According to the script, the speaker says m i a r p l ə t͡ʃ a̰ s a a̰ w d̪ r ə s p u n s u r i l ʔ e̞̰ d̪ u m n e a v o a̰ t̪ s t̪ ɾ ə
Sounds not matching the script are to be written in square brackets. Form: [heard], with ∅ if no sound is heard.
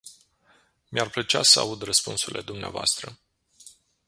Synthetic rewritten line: m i a r p l ə t͡ʃ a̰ s [ə] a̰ [u] d̪ r ə s p u n s u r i l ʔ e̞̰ d̪ u m n e a v o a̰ [∅] s t̪ ɾ ə

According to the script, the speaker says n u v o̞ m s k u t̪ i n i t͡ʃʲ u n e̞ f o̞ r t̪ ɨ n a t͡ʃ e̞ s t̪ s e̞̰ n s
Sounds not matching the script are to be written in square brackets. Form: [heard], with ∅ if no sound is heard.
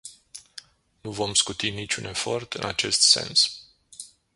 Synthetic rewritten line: n u v o̞ m s k u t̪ i n i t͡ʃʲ u n e̞ f o̞ r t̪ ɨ n a t͡ʃ e̞ s t̪ s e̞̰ n s

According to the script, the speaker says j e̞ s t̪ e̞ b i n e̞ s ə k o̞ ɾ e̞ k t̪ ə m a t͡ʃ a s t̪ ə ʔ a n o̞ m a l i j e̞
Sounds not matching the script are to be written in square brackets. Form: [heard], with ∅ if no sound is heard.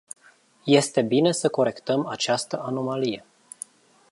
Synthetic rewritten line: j e̞ s t̪ e̞ b i n e̞ s ə k o̞ ɾ e̞ k t̪ ə m a t͡ʃ a s t̪ ə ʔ a n o̞ m a l i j e̞

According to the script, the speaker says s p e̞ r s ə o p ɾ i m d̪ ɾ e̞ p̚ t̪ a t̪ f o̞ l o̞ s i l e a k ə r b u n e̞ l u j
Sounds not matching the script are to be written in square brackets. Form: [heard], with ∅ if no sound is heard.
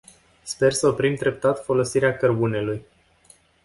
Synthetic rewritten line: s p e̞ r s ə o p ɾ i m d̪ ɾ e̞ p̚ t̪ a t̪ f o̞ l o̞ s i [ɾ] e a k ə r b u n e̞ l u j

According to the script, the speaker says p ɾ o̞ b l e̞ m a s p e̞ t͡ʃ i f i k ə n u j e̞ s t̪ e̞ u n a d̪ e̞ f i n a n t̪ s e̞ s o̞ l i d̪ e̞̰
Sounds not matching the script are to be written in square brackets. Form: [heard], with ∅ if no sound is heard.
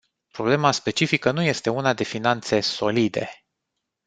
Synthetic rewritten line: p ɾ o̞ b l e̞ m a s p e̞ t͡ʃ i f i k ə n u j e̞ s t̪ e̞ u n a d̪ e̞ f i n a n t̪ s e̞ s o̞ l i d̪ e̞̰

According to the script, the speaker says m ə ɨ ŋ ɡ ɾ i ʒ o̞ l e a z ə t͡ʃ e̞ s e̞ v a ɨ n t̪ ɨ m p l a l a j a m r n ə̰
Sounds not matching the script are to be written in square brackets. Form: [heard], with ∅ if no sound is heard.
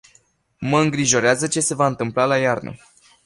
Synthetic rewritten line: m ə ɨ ŋ ɡ ɾ i ʒ o̞ [ɾ] e a z ə t͡ʃ e̞ s e̞ v a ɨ n t̪ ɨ m p l a l a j a [∅] r n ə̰

